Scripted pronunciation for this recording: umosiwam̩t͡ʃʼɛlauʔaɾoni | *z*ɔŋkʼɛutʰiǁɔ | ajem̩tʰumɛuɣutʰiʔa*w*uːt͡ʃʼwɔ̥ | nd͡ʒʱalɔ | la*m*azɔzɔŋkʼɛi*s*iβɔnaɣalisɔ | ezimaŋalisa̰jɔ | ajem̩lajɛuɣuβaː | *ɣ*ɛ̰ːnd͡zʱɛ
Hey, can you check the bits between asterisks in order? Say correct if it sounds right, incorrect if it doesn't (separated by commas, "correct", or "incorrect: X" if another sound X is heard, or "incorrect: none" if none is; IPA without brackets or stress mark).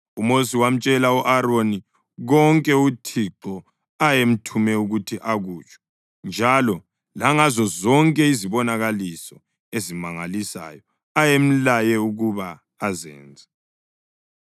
incorrect: ɣ, incorrect: ɣ, incorrect: ŋ, incorrect: z, incorrect: z